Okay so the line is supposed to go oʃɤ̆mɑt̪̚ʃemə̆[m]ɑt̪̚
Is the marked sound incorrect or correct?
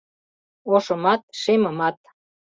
correct